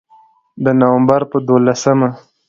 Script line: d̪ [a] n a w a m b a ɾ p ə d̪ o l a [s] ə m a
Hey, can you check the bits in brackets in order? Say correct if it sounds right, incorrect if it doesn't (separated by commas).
incorrect, correct